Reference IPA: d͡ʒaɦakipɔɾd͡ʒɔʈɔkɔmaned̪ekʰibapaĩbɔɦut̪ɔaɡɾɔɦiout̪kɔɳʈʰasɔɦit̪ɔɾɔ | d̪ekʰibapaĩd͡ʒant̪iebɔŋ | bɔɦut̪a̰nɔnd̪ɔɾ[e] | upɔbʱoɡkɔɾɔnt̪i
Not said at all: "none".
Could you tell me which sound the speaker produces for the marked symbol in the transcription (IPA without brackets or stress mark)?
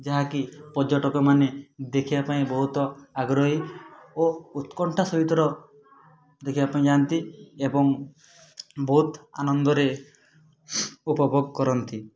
e